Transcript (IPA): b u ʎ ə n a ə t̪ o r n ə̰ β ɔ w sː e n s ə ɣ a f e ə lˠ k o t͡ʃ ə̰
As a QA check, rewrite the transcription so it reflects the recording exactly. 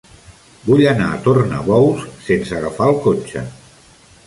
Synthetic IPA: b u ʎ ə n a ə t̪ o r n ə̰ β ɔ w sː e n s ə ɣ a f a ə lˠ k o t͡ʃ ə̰